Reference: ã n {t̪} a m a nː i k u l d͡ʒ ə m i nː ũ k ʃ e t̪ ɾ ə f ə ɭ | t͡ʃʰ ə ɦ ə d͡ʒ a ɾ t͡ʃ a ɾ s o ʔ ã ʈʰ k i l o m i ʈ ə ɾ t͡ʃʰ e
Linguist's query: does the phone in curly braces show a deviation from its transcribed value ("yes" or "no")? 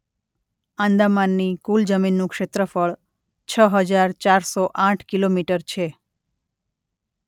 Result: yes